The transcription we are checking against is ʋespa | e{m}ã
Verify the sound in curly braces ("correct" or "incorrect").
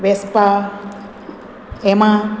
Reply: correct